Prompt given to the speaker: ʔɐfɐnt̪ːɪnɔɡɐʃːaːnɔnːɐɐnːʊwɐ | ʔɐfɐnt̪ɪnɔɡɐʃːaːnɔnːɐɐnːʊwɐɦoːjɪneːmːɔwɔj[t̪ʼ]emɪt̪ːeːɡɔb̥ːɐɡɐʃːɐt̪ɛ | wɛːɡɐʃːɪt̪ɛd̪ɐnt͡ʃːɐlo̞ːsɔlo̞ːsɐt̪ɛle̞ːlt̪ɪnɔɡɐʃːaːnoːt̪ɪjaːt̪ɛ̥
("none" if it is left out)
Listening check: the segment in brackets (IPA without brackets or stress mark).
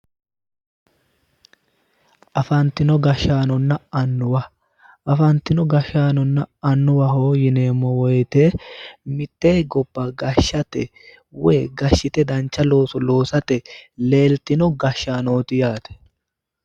t̪